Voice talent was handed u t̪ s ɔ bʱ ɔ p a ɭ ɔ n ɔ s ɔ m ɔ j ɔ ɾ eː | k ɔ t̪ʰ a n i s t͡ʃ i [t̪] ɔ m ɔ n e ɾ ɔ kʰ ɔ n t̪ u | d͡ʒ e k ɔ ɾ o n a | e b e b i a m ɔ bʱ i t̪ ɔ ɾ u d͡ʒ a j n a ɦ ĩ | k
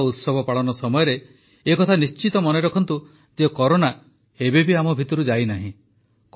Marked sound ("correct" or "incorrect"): correct